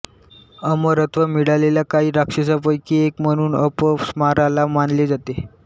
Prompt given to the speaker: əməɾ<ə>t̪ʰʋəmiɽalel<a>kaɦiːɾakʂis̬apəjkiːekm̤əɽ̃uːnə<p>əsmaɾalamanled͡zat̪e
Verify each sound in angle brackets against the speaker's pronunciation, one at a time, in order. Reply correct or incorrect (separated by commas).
correct, correct, correct